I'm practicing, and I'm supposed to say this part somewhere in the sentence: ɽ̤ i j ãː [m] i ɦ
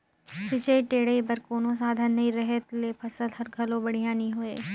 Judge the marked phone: incorrect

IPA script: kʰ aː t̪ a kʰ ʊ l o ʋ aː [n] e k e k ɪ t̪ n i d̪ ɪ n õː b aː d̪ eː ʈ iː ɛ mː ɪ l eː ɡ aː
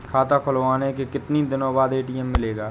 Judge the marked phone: correct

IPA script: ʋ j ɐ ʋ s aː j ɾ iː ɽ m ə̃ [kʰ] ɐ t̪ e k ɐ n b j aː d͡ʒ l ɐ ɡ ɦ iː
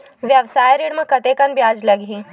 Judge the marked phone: incorrect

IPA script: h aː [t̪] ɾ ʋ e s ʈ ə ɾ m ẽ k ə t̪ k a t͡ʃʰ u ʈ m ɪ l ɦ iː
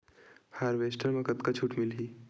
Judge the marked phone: incorrect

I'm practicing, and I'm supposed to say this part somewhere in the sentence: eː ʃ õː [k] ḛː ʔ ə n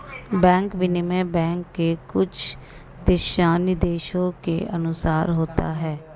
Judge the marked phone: correct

